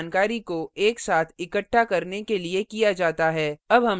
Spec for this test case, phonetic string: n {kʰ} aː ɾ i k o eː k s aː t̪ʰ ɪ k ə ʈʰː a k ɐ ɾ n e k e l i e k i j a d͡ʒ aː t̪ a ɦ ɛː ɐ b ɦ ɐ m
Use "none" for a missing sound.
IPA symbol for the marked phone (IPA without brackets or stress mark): k